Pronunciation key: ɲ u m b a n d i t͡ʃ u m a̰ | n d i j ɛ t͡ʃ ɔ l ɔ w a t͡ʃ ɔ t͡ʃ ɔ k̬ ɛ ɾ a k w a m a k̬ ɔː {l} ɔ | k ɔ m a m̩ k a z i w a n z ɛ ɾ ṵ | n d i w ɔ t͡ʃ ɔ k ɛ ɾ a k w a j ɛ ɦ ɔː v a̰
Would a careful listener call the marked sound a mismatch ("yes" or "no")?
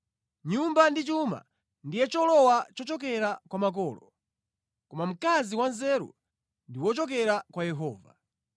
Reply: no